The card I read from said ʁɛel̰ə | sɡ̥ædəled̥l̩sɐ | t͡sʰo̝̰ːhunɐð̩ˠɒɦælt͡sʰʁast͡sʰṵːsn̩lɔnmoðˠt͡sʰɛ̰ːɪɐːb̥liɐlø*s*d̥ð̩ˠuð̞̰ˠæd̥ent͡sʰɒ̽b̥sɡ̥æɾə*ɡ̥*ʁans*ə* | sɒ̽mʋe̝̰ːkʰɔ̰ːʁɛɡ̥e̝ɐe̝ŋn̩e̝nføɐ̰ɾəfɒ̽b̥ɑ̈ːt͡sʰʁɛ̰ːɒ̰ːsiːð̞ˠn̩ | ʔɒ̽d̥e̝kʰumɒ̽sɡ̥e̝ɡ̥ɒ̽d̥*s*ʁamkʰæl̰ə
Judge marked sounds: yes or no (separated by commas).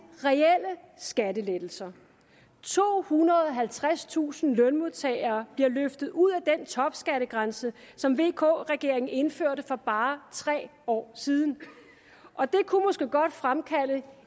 no, yes, yes, no